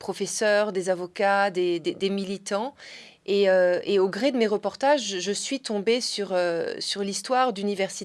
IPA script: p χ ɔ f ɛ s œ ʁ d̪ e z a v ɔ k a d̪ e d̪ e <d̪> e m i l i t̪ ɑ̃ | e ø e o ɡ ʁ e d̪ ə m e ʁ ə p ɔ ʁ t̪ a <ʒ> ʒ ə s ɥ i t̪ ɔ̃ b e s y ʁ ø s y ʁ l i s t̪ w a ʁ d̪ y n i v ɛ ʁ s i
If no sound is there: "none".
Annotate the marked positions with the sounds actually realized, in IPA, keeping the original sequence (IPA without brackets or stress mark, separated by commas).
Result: d̪, ʒ